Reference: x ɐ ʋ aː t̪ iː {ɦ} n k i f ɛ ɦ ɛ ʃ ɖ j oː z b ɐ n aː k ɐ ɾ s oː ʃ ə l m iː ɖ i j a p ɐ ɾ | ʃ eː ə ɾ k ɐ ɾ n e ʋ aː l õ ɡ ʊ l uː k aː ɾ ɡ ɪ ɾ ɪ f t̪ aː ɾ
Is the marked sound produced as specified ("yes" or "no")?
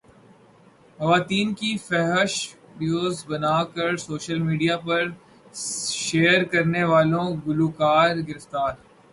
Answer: no